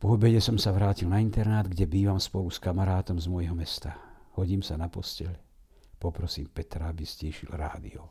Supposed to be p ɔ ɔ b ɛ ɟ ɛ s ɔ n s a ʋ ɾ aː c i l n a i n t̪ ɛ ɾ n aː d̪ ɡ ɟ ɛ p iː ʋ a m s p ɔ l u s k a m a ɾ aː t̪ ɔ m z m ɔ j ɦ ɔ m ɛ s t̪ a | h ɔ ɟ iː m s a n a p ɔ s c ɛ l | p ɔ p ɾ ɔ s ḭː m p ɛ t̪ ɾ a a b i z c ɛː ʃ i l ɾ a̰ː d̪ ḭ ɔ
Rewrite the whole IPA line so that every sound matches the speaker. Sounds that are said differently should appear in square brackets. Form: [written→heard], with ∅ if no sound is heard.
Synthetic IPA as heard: p ɔ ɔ b ɛ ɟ ɛ s ɔ [n→m] s a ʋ ɾ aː c i l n a i n t̪ ɛ ɾ n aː d̪ ɡ ɟ ɛ [p→b] iː ʋ a m s p ɔ l u s k a m a ɾ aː t̪ ɔ m z m ɔ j ɦ ɔ m ɛ s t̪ a | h ɔ ɟ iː m s a n a p ɔ s c ɛ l | p ɔ p ɾ ɔ s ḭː m p ɛ t̪ ɾ a a b i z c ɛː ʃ i l ɾ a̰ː d̪ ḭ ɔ